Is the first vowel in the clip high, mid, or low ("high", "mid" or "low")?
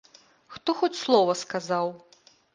mid